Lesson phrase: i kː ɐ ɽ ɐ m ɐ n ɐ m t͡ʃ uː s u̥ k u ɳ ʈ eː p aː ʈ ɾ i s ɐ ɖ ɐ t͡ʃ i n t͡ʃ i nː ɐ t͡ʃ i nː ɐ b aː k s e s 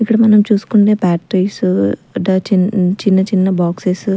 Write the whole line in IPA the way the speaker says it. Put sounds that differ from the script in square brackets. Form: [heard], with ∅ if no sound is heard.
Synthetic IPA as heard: i kː ɐ ɽ ɐ m ɐ n ɐ m t͡ʃ uː s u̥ k u ɳ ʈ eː p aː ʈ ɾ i s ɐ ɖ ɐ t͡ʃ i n t͡ʃ i nː ɐ t͡ʃ i nː ɐ b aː k s e s